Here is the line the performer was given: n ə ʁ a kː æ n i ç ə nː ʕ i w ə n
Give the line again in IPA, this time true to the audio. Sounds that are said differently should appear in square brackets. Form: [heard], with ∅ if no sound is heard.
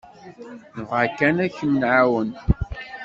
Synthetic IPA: n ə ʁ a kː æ n [æ] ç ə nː ʕ [a] w ə n